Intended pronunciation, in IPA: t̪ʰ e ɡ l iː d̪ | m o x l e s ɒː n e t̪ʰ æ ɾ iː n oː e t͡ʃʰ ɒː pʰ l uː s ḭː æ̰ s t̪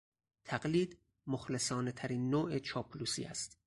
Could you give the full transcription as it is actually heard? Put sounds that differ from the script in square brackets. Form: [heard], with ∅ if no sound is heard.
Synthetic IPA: t̪ʰ [æ] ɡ l iː d̪ | m o x l e s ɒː n e t̪ʰ æ ɾ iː [nː] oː e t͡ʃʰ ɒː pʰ l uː s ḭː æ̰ s t̪